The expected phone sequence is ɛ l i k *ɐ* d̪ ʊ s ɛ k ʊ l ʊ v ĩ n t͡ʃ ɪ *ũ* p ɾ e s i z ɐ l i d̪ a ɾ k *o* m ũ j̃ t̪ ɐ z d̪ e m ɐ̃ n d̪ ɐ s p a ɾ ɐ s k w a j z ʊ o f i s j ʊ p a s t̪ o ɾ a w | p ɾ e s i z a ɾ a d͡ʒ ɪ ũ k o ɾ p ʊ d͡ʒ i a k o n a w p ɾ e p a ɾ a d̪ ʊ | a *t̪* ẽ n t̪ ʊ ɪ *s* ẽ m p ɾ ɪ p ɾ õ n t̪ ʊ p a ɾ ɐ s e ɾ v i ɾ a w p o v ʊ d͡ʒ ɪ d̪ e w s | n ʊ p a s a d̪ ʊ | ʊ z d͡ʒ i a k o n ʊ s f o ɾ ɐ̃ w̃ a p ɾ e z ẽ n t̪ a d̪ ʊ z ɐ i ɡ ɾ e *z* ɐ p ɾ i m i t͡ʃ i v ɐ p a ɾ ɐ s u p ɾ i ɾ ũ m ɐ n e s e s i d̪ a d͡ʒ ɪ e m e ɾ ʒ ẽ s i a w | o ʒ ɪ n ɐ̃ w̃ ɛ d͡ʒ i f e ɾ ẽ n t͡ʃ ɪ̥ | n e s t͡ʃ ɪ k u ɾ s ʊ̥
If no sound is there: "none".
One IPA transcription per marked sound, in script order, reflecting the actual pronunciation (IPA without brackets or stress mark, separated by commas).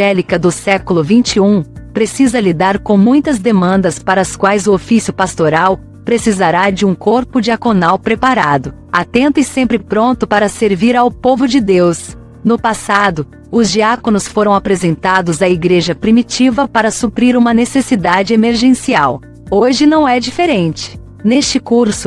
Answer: ɐ, ũ, õ, t̪, s, ʒ